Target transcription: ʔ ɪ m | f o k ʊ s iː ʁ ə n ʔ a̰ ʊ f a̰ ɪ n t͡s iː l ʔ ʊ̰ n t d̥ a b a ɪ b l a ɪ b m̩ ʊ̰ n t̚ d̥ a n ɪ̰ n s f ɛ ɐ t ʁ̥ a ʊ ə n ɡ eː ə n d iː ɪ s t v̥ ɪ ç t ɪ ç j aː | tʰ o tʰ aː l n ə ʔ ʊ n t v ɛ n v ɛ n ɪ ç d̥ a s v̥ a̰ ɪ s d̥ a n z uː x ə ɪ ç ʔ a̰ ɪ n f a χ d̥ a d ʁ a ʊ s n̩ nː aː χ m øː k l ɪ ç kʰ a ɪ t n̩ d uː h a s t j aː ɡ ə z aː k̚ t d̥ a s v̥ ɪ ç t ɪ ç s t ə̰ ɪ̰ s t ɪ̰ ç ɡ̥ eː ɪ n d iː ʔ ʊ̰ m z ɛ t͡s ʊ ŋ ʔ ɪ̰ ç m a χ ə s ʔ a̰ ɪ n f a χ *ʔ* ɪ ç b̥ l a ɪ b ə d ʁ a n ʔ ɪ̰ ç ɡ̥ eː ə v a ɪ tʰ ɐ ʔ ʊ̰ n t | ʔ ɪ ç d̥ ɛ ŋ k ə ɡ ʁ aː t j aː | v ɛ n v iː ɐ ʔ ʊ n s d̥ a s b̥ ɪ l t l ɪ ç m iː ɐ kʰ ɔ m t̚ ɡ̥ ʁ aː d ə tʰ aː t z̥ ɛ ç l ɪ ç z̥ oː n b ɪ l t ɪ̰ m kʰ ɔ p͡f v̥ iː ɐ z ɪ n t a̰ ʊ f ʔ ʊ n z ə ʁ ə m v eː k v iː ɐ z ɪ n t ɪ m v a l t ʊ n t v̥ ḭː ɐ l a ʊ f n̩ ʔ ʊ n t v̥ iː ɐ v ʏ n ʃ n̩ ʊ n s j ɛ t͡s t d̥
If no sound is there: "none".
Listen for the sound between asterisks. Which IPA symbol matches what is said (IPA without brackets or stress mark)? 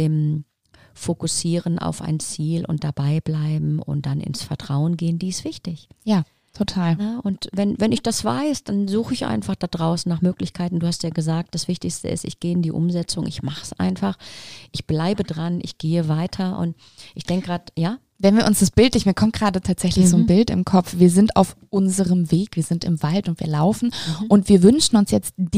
ʔ